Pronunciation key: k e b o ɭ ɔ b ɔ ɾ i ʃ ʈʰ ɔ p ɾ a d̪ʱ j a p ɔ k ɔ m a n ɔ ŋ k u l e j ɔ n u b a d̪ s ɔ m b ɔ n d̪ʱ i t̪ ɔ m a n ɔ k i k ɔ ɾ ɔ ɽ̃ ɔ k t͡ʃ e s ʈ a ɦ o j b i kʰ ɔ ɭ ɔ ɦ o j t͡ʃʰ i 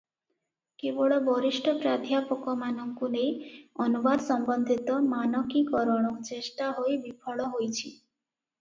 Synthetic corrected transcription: k e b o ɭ ɔ b ɔ ɾ i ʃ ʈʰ ɔ p ɾ a d̪ʱ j a p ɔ k ɔ m a n ɔ ŋ k u l e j ɔ n u b a d̪ s ɔ m b ɔ n d̪ʱ i t̪ ɔ m a n ɔ k i k ɔ ɾ ɔ ɽ̃ ɔ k t͡ʃ e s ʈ a ɦ o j b i pʰ ɔ ɭ ɔ ɦ o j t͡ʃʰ i